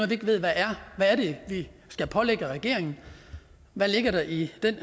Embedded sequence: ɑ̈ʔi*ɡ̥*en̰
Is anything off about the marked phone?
yes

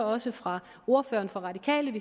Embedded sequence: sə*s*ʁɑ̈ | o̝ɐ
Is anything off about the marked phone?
yes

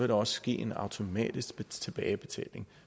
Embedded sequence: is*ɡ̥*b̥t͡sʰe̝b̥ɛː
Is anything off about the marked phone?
no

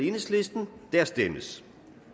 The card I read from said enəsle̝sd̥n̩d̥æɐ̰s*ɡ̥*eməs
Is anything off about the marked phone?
yes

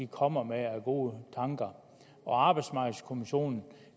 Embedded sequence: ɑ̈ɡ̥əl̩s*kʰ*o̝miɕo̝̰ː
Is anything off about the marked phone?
no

